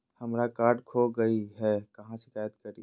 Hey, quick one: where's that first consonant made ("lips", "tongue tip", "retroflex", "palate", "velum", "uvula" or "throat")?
throat